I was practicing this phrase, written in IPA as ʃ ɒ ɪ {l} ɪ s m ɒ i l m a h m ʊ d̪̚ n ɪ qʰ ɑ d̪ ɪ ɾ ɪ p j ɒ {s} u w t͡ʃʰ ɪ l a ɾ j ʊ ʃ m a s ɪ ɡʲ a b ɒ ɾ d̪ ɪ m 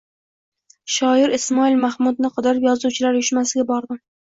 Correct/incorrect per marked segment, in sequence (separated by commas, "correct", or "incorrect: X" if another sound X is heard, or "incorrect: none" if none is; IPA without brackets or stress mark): incorrect: ɾ, incorrect: z